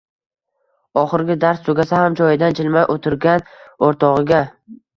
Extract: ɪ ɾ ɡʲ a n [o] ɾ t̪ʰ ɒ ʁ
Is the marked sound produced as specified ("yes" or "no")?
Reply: yes